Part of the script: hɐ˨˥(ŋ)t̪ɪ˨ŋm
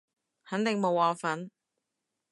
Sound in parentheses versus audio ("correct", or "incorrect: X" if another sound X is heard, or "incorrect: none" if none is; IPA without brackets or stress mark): incorrect: n